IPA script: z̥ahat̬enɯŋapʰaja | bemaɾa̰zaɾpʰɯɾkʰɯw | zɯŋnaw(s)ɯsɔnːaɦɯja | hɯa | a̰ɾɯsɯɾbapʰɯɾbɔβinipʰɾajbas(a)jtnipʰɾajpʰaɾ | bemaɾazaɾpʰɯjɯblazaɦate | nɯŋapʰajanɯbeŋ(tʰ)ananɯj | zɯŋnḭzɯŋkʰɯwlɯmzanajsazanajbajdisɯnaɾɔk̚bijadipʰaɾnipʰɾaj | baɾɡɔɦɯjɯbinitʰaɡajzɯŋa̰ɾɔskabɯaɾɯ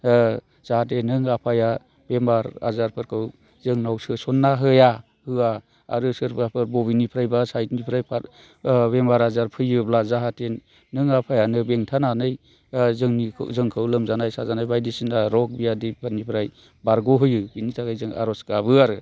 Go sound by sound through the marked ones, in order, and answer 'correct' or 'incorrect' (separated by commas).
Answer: correct, correct, correct